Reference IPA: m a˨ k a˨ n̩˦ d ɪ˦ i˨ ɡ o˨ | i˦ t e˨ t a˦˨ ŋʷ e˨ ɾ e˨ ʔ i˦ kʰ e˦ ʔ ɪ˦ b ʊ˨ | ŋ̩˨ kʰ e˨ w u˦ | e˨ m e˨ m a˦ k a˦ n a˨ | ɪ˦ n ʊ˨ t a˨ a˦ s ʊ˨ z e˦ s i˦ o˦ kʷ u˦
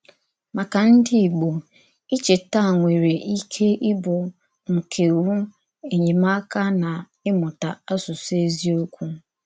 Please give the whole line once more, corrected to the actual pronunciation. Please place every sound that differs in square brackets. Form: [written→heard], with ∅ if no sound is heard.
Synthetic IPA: m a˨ k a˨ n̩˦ d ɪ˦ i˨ [ɡ→ɡ͡b] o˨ | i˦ [t→t͡ʃ] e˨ t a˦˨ ŋʷ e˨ ɾ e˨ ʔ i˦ kʰ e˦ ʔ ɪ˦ b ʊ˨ | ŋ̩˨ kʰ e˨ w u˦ | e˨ [m→ɲ] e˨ m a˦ k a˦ n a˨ | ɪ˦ [n→m] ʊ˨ t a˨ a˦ s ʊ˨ [z→s] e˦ [s→z] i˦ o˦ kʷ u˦